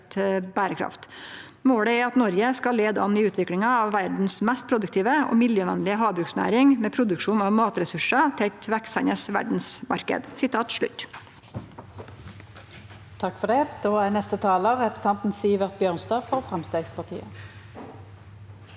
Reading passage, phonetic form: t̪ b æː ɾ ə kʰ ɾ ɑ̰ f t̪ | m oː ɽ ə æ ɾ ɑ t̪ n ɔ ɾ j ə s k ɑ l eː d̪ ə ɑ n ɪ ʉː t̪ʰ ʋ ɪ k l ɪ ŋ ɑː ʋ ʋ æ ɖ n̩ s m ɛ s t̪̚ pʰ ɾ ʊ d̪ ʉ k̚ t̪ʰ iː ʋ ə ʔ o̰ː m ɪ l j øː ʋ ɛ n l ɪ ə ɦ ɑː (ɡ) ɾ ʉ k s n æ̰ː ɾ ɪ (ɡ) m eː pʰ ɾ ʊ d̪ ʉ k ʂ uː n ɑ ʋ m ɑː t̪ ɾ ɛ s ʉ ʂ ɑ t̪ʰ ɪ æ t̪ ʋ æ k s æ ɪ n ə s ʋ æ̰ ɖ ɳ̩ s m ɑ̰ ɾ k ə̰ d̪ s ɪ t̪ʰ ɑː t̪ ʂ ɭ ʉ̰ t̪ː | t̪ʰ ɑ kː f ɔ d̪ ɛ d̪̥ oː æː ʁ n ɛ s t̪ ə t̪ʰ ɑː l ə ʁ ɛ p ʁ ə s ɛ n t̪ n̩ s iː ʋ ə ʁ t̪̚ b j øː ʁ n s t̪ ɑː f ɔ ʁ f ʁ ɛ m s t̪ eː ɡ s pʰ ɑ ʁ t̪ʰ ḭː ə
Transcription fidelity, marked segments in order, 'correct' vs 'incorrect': incorrect: b, incorrect: ŋ

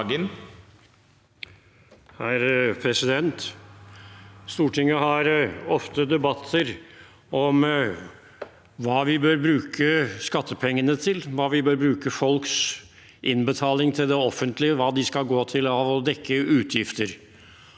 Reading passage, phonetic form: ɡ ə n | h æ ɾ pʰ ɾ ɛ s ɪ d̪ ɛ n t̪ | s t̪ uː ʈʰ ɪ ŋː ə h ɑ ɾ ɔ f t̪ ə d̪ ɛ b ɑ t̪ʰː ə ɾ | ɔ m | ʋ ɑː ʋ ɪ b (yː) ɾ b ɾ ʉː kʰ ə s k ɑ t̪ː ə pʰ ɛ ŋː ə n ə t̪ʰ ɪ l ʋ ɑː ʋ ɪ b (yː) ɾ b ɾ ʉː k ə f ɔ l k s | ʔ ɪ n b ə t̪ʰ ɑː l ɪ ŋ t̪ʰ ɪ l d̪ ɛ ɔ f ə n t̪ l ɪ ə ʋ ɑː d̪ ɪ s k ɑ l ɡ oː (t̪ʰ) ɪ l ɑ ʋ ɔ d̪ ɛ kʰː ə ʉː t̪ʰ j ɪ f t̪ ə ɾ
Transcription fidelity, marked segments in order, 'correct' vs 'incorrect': incorrect: øː, incorrect: øː, correct

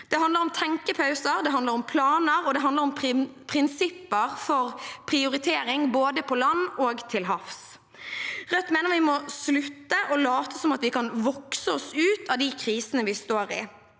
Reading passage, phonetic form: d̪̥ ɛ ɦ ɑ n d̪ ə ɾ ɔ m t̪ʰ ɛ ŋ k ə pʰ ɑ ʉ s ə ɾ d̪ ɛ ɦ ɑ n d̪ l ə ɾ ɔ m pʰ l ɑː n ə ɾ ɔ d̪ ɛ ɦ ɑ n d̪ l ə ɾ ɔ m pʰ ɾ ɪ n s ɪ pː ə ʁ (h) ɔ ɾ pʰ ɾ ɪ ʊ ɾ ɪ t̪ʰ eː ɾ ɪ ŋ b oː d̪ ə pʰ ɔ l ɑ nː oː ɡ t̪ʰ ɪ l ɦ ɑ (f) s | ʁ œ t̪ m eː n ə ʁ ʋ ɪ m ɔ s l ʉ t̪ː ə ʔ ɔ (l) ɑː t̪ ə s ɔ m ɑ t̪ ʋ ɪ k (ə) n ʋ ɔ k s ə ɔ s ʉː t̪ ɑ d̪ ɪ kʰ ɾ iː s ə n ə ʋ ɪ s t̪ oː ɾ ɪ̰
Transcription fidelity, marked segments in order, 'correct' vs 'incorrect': incorrect: f, correct, correct, incorrect: ɑ

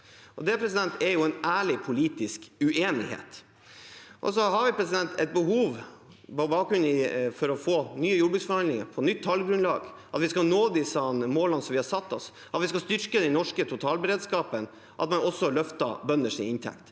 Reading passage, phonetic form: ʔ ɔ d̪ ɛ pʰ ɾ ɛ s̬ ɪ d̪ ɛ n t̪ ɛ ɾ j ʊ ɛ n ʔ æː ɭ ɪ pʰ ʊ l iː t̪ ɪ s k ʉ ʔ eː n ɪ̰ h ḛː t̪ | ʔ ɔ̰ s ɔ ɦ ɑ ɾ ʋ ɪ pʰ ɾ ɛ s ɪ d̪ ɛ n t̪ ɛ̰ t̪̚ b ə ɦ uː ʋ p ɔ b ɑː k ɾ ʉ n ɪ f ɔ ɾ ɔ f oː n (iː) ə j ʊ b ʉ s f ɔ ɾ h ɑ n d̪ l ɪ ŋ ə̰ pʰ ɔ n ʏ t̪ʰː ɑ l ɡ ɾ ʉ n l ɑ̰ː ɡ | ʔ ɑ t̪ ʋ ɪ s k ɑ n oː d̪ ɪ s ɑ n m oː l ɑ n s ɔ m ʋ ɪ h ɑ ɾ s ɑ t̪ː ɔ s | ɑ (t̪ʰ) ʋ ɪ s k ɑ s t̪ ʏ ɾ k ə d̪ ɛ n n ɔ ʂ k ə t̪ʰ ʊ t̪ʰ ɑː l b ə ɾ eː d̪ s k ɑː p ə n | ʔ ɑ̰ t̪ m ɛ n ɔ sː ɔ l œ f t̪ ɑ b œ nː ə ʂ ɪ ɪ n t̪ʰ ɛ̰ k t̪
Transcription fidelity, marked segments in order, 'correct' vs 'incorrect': incorrect: yː, incorrect: t̪

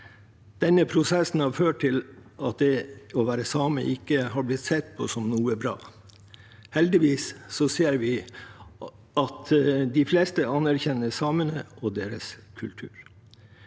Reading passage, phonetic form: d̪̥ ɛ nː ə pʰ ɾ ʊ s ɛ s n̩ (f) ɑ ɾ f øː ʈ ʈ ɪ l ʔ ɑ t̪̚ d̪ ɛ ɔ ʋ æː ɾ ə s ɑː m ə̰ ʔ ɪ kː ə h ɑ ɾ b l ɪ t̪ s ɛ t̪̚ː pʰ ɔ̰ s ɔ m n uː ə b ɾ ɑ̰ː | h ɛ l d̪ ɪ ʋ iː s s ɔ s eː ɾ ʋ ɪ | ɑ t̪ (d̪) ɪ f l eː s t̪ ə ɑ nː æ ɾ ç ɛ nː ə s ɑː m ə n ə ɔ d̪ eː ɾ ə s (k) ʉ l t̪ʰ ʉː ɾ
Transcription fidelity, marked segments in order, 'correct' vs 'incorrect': incorrect: h, correct, incorrect: kʰ

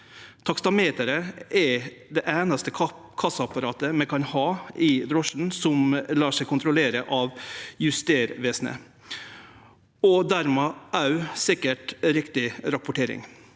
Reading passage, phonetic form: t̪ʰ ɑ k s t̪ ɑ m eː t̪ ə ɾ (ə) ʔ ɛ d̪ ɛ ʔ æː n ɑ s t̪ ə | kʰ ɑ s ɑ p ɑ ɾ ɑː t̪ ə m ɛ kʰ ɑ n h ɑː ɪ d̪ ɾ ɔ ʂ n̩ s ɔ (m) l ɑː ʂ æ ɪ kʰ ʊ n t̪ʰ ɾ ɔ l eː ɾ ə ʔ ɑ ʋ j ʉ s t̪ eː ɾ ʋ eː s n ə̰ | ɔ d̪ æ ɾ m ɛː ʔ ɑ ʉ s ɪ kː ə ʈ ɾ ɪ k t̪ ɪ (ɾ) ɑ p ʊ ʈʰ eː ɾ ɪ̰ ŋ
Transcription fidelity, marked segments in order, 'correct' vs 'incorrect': correct, correct, correct

